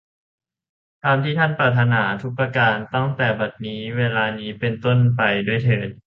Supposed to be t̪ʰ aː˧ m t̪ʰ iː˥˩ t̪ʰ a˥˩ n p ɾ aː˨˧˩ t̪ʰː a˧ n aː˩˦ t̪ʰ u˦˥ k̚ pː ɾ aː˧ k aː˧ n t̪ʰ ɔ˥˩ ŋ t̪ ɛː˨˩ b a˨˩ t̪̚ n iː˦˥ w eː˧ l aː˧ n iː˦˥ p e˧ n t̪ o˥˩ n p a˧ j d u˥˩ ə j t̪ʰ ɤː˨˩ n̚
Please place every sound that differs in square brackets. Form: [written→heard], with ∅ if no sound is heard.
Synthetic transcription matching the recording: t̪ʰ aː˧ m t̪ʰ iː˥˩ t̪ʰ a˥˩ n p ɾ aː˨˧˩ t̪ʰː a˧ n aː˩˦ t̪ʰ u˦˥ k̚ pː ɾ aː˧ k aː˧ n [t̪ʰ→t̪] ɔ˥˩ ŋ t̪ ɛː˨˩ b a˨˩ t̪̚ n iː˦˥ w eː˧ l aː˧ n iː˦˥ p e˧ n t̪ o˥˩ n p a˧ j d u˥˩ ə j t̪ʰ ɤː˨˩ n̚